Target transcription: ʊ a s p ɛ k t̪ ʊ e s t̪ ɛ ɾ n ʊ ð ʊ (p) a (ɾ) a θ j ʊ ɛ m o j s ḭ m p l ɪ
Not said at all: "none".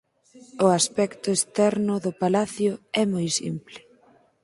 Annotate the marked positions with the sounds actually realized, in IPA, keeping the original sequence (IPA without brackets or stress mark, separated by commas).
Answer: p, l